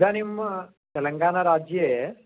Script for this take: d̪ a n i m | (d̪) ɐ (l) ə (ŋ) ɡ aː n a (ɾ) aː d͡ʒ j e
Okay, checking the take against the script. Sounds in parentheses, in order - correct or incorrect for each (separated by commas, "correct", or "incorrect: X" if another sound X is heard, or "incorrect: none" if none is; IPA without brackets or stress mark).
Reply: incorrect: t̪, correct, correct, correct